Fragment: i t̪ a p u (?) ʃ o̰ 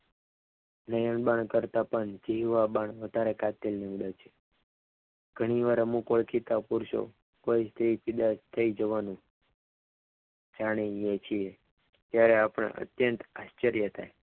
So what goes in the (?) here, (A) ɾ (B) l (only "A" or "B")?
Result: A